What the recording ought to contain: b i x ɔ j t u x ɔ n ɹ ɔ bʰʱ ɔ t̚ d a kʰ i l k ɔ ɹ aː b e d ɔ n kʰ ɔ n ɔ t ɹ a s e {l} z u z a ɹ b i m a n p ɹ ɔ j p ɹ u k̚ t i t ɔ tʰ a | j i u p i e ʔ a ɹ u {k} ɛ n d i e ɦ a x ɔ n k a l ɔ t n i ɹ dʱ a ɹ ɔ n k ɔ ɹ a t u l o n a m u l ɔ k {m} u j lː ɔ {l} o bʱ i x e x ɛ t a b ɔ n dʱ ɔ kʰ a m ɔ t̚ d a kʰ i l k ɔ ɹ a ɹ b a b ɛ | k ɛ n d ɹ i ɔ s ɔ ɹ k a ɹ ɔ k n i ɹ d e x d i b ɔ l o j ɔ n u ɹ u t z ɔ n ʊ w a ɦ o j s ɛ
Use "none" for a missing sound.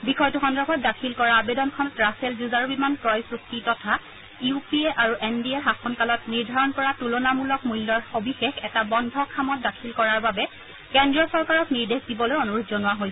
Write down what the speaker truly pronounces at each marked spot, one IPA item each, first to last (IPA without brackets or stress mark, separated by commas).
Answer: l, ʔ, m, ɹ